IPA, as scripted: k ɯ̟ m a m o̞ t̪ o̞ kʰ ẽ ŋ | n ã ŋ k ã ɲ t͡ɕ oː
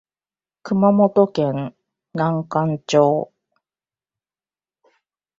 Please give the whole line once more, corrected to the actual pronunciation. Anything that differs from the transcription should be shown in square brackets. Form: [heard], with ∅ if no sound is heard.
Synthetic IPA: k ɯ̟ m a m o̞ t̪ o̞ [k] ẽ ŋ | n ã ŋ k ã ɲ t͡ɕ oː